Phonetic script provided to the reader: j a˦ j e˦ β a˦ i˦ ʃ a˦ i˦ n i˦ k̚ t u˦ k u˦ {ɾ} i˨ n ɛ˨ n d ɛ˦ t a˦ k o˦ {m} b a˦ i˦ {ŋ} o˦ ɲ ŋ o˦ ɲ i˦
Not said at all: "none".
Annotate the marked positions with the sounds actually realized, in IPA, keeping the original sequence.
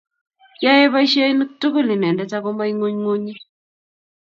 l, m, ŋ

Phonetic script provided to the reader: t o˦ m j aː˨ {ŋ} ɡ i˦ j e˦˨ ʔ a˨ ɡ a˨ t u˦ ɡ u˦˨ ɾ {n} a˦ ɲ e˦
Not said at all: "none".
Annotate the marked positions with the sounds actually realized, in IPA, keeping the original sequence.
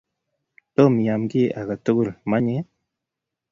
m, m

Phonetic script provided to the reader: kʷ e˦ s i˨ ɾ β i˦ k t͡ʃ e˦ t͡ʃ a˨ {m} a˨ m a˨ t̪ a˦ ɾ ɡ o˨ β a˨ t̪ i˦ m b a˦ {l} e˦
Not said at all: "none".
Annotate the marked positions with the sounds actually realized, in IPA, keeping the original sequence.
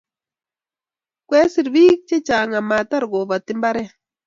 ŋ, ɾ

